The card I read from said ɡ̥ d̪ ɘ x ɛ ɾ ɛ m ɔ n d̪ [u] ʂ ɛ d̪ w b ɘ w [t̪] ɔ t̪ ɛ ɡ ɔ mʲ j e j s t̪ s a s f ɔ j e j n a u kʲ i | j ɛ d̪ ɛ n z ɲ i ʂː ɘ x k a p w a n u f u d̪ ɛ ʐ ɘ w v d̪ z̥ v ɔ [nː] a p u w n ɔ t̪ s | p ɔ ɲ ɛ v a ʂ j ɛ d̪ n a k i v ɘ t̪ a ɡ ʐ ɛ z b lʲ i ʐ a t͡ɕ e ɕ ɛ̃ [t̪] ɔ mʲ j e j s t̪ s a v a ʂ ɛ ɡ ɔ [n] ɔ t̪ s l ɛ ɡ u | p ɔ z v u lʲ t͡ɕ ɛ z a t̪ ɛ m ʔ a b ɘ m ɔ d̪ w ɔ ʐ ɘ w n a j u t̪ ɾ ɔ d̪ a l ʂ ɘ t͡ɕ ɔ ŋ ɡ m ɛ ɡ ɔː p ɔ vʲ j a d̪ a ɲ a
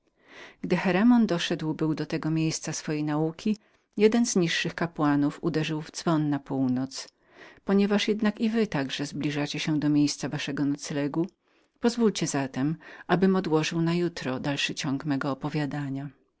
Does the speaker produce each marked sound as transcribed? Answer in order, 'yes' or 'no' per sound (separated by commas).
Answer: no, no, yes, no, yes